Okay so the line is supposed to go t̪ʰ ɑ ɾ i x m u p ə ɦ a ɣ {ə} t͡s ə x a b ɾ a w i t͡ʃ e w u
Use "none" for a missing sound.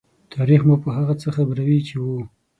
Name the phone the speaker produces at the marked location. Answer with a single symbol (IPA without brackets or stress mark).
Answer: a